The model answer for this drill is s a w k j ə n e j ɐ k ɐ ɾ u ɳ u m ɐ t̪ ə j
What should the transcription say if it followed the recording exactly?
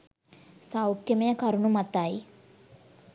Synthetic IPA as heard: s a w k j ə m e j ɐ k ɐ ɾ u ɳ u m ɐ t̪ a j